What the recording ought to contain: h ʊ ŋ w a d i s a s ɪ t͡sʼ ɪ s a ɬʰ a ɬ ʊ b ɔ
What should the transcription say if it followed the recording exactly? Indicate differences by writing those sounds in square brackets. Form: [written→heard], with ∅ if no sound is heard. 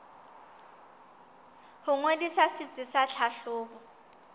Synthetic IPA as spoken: h ʊ ŋ w [a→e] d i s a s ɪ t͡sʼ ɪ s a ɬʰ a ɬ [ʊ→ʊː] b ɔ